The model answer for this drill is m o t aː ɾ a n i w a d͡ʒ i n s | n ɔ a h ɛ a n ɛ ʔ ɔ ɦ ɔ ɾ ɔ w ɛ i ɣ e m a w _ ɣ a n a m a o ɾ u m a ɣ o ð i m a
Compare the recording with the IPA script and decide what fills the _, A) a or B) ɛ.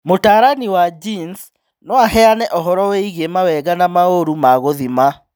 B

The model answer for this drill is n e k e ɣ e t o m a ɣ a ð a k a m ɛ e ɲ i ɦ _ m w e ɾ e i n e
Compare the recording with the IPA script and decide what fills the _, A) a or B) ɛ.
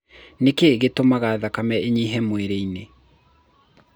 B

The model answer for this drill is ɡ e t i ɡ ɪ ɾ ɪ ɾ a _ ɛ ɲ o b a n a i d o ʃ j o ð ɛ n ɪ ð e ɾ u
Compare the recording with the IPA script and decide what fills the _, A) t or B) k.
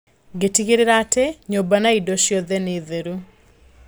A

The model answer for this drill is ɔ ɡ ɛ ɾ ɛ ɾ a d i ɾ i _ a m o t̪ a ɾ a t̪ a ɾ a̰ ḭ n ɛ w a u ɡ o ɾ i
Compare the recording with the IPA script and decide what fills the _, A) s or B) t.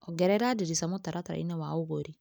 A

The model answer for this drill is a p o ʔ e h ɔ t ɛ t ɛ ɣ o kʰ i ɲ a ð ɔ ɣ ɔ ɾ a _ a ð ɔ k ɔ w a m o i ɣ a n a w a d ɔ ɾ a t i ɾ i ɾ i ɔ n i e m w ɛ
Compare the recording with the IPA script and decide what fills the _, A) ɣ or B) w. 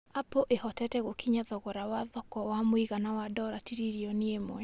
B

